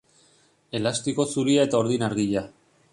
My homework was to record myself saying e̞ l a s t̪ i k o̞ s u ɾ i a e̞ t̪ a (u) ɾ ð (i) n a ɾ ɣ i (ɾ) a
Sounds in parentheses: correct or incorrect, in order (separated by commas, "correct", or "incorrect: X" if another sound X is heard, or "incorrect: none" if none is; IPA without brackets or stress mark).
incorrect: o, correct, incorrect: ʎ